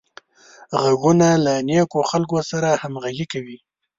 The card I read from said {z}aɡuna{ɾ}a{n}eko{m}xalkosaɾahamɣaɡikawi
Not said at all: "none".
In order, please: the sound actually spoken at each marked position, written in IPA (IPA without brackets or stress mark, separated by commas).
ɣ, l, n, none